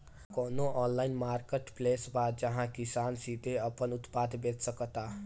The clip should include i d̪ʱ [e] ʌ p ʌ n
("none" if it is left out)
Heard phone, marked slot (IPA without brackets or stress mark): e